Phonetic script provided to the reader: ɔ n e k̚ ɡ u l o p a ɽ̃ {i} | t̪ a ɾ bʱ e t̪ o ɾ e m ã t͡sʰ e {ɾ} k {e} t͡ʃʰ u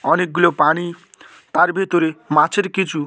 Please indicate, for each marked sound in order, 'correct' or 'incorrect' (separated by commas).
correct, correct, incorrect